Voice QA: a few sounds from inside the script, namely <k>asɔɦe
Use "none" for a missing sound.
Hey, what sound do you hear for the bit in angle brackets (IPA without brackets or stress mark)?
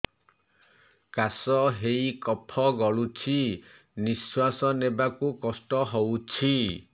k